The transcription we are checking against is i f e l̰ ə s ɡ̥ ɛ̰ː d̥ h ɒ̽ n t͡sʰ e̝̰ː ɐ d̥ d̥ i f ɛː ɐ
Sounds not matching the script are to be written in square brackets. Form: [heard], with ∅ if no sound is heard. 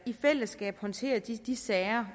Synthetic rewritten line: i f e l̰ ə s ɡ̥ ɛ̰ː [b̥] h ɒ̽ n t͡sʰ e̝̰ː ɐ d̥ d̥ i [s] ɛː ɐ